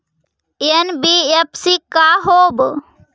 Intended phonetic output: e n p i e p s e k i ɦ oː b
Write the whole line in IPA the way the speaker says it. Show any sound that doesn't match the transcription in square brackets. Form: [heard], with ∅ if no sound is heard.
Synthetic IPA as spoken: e n [b] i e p s [i] k [a] ɦ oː b